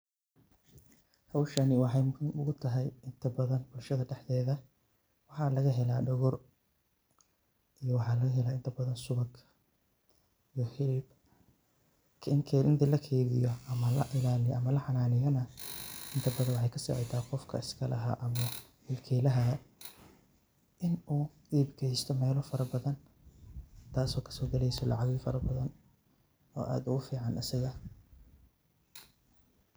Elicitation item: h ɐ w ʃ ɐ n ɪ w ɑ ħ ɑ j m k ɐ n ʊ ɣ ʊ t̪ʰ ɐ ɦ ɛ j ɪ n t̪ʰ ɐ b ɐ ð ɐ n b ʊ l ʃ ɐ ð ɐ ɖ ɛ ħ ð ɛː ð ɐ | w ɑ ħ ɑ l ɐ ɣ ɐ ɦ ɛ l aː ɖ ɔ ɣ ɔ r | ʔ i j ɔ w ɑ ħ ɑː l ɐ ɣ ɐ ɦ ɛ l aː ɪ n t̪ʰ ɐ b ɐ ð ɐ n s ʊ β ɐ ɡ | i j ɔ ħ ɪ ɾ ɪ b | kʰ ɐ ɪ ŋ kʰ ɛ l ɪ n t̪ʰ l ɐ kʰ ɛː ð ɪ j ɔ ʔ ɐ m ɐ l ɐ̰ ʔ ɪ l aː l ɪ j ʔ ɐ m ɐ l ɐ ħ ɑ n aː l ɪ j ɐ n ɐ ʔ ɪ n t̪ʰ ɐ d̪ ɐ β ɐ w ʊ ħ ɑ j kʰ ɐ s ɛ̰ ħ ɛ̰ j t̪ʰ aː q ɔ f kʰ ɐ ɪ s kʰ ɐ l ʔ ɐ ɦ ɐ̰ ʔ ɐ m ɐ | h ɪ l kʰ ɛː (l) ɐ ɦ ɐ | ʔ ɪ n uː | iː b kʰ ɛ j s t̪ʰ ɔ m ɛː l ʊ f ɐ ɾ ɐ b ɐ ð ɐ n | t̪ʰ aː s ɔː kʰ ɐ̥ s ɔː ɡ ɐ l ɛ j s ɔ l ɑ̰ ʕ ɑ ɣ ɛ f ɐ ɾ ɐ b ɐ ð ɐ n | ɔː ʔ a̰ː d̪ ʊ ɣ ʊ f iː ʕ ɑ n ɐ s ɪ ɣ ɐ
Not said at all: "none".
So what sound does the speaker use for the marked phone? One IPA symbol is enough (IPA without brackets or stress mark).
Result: l